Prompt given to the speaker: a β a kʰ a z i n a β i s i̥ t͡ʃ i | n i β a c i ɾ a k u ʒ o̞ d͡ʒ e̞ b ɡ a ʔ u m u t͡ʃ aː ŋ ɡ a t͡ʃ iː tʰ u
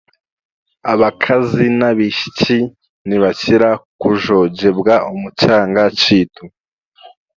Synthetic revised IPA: a β a kʰ a z i n a β i ʃ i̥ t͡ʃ i | n i β a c i ɾ a k u ʒ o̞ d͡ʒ e̞ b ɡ a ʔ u m u t͡ʃ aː ŋ ɡ a t͡ʃ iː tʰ u